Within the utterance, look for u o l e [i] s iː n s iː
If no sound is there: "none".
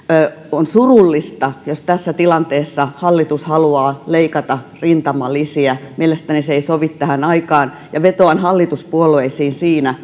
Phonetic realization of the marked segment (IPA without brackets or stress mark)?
i